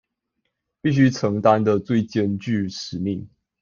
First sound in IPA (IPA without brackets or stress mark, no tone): p